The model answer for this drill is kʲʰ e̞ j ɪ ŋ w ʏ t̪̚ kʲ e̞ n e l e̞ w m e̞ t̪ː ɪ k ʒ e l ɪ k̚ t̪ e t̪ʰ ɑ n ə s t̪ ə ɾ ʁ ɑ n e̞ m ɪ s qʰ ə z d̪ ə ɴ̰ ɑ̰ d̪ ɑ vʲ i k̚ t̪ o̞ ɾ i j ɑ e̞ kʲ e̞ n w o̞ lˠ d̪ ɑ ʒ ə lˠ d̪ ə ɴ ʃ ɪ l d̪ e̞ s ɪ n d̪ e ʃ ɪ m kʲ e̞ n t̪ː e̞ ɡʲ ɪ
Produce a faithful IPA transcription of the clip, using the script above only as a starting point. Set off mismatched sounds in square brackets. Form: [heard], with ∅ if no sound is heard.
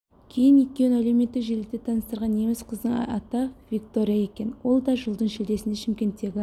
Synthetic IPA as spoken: kʲʰ e̞ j ɪ [n] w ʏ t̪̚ kʲ e̞ n [æ] l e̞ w m e̞ t̪ː ɪ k ʒ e l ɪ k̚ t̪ e t̪ʰ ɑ n ə s t̪ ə ɾ ʁ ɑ n e̞ m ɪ s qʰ ə z d̪ ə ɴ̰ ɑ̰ [t̪] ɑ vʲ i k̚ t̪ o̞ ɾ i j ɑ e̞ kʲ e̞ n w o̞ lˠ d̪ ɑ ʒ ə lˠ d̪ ə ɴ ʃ ɪ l d̪ e̞ s ɪ n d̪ e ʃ ɪ m kʲ e̞ n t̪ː e̞ ɡʲ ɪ